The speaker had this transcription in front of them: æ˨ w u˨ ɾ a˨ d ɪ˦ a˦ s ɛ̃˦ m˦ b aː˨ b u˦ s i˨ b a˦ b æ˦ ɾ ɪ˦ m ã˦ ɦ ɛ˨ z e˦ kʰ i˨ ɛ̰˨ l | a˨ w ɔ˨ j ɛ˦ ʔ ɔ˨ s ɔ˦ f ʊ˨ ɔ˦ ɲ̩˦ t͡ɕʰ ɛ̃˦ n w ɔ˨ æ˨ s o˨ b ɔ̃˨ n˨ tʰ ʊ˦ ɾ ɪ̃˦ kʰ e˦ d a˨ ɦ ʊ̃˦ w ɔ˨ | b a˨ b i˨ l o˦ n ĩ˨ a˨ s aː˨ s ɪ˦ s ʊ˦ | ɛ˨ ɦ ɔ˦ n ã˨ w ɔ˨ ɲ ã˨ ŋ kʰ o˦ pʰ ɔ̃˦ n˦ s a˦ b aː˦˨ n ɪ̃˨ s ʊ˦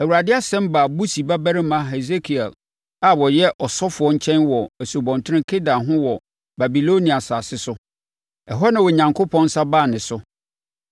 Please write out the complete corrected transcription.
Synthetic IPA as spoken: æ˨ w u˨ ɾ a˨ d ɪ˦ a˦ s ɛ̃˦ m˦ b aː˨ b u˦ s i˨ b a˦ b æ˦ ɾ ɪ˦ m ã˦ ɦ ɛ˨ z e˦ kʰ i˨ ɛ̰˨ l | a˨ w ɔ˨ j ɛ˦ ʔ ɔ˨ s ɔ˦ f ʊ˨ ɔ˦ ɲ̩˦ t͡ɕʰ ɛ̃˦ n w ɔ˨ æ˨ s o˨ b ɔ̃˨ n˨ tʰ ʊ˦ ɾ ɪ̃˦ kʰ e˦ d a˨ ɦ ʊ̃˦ w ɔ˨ | b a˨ b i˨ l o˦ n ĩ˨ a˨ s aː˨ s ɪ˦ s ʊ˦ | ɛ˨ ɦ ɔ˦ n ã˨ w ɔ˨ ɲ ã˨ ŋ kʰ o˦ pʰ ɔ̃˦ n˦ s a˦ b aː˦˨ n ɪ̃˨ s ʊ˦